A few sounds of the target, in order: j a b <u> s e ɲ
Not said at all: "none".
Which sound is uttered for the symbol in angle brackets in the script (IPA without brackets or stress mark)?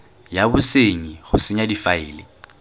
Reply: ʊ